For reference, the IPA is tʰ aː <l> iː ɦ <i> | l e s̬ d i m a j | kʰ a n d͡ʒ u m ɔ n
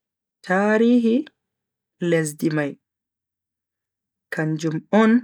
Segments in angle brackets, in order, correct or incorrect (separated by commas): incorrect, correct